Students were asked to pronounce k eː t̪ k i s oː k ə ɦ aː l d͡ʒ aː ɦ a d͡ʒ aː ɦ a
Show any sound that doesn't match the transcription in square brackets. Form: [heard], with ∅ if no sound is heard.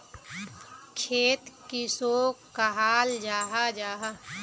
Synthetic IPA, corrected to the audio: [kʰ] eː t̪ k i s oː k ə ɦ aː l d͡ʒ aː ɦ a d͡ʒ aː ɦ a